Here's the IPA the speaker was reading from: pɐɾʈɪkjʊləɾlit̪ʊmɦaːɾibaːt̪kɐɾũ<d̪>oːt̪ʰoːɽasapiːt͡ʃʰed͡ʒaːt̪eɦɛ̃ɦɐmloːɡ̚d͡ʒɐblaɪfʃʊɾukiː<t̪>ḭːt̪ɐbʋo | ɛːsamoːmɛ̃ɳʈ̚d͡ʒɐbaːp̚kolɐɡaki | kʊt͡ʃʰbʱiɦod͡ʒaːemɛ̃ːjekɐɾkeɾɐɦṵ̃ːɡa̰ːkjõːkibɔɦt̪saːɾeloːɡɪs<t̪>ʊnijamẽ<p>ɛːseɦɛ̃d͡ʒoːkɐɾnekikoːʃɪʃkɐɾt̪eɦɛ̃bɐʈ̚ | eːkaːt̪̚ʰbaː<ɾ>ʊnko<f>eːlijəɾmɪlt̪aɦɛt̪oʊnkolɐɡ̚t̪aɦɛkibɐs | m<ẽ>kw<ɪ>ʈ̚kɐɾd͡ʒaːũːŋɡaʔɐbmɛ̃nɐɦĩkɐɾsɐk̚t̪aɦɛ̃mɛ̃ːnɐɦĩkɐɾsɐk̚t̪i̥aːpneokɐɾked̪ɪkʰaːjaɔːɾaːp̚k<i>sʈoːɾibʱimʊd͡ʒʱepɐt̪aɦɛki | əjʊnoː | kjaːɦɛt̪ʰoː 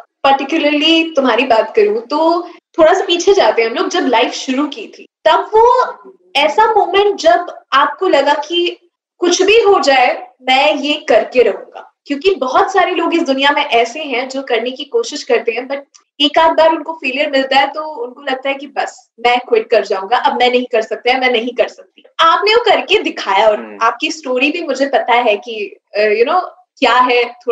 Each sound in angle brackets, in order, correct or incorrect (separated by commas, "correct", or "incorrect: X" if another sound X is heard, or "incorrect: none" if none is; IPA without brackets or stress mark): incorrect: t̪, incorrect: t̪ʰ, incorrect: d̪, incorrect: ʔ, correct, correct, incorrect: ɛ̃, correct, correct